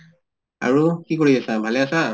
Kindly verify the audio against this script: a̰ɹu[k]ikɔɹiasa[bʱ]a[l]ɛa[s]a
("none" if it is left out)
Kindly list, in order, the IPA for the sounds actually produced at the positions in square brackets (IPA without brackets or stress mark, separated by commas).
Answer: k, bʱ, l, s